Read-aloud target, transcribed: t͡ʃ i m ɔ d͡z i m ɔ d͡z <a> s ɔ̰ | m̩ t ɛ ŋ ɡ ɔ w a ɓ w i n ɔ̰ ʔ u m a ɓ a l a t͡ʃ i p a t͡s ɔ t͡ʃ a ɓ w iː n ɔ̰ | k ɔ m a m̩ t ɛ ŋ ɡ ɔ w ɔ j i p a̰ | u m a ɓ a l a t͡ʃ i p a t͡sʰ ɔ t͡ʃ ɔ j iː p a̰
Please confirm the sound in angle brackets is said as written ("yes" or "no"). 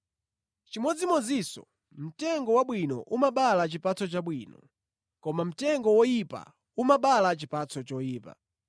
no